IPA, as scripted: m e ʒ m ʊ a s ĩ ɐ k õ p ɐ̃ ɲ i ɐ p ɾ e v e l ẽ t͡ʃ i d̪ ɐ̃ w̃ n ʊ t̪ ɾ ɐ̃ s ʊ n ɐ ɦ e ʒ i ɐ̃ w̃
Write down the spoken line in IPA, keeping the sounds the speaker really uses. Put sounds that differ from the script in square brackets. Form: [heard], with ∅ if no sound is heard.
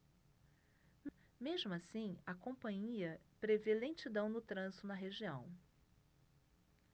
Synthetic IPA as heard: m e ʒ m ʊ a s ĩ ɐ k õ p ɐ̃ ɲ i ɐ p ɾ e v e l ẽ t͡ʃ i d̪ ɐ̃ w̃ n ʊ t̪ ɾ ɐ̃ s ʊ n ɐ ɦ e ʒ i ɐ̃ w̃